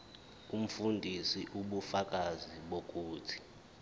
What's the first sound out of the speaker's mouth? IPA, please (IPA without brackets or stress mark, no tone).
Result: u